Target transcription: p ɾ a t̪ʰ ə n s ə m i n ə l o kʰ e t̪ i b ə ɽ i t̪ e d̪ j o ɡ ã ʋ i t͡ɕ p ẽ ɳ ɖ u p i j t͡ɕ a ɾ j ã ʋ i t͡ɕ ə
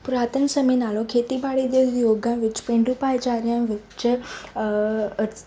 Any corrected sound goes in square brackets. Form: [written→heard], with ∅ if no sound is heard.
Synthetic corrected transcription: p ɾ a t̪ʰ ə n s ə m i n [ə→a] l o kʰ e t̪ i b [ə→a] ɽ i [t̪→d̪] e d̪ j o ɡ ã ʋ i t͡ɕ p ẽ ɳ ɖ u p [i→a] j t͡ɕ a ɾ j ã ʋ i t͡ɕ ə